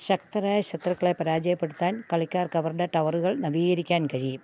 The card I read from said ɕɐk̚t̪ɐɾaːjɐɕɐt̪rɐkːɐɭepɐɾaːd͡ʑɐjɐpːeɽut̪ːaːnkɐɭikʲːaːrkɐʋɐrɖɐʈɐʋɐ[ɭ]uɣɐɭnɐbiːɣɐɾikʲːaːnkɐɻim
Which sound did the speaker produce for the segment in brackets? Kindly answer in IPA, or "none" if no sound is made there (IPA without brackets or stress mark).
r